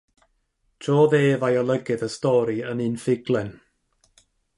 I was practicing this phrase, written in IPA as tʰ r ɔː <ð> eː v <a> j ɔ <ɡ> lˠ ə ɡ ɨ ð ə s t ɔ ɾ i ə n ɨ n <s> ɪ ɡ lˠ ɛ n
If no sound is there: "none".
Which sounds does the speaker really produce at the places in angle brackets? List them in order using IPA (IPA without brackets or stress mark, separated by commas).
ð, a, none, f